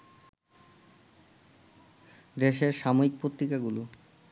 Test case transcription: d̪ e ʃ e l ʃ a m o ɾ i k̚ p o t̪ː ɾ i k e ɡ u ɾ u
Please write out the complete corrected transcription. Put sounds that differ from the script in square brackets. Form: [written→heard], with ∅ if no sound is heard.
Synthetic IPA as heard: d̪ e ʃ e [l→ɾ] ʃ a m o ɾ i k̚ p o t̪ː ɾ i k [e→a] ɡ u [ɾ→l] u